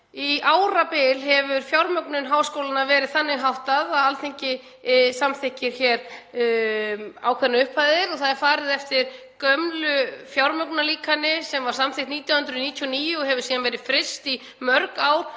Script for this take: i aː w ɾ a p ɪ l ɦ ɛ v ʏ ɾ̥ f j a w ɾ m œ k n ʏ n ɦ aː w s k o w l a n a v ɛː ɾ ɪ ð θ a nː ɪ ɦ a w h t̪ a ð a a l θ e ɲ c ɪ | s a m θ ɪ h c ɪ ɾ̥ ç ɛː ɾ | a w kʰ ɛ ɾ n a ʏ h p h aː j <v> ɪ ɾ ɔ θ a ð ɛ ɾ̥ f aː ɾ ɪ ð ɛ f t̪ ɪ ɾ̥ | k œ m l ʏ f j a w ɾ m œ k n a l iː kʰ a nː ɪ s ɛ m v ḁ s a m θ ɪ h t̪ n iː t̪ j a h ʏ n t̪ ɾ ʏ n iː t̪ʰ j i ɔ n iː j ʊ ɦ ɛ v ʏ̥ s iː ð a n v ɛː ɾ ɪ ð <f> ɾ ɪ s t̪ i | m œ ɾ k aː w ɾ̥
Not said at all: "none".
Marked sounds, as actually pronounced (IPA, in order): ð, f

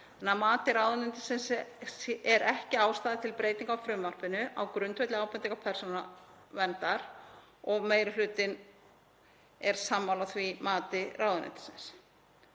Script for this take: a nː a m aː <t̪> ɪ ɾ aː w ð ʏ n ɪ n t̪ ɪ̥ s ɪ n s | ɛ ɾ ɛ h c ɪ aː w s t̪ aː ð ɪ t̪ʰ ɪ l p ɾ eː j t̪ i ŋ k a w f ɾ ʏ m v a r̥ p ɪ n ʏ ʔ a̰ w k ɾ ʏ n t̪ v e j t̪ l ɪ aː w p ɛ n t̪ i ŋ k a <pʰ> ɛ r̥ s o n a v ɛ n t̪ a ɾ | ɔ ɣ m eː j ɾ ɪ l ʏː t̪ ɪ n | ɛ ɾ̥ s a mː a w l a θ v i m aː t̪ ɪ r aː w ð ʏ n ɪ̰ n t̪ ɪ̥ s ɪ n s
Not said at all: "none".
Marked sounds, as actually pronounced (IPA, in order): t̪, pʰ

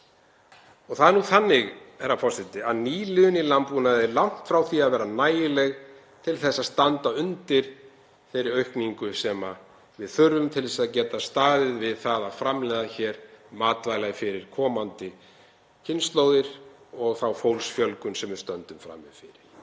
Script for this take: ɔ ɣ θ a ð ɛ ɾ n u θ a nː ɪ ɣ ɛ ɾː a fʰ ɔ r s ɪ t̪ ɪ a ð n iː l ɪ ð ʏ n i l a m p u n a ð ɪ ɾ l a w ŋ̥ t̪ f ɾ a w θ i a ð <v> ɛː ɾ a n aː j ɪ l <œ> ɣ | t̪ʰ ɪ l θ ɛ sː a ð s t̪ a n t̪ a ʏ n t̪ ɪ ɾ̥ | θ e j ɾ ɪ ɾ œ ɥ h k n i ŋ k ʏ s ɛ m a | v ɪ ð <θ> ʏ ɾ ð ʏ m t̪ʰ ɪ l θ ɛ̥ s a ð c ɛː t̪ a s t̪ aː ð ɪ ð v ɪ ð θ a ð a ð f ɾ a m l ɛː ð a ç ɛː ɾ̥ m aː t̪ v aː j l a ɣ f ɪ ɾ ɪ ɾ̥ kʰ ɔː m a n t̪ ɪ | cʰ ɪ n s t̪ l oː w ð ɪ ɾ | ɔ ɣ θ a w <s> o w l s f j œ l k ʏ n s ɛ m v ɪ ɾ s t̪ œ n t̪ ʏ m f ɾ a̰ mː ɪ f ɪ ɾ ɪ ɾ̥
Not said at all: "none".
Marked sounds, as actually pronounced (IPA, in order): v, ɛ, θ, f

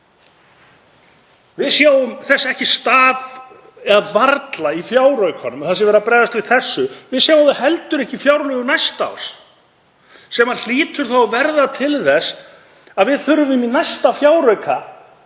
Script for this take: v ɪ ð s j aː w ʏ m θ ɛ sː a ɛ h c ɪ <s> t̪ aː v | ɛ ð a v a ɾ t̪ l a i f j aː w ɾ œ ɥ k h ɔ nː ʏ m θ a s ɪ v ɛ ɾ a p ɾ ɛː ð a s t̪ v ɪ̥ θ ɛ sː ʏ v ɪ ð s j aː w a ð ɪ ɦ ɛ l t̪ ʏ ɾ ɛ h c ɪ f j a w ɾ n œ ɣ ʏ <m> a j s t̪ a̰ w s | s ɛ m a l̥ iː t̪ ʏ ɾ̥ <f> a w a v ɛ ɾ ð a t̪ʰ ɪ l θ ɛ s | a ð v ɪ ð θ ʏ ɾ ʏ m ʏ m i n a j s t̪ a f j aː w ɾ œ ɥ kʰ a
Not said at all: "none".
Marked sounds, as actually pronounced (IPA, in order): s, n, θ

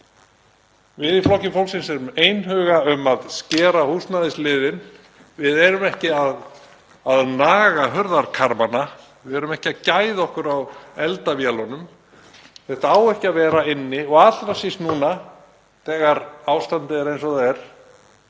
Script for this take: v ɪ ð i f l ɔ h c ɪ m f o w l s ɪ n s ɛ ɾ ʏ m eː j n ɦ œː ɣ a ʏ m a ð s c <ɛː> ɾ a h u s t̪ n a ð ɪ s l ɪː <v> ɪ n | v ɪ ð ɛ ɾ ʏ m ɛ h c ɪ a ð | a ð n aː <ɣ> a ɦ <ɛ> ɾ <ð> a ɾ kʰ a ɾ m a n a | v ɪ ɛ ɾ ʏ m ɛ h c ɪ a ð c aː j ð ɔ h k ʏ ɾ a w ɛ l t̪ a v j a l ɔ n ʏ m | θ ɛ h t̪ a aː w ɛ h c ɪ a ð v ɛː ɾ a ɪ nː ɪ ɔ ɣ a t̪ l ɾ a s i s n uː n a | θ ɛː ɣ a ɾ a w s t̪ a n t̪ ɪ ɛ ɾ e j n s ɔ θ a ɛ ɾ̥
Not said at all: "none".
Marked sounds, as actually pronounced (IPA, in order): ɛː, ð, ɣ, œ, ð

